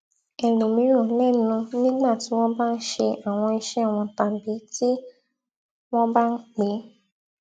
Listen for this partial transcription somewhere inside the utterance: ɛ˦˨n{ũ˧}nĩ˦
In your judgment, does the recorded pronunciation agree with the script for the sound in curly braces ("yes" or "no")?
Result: yes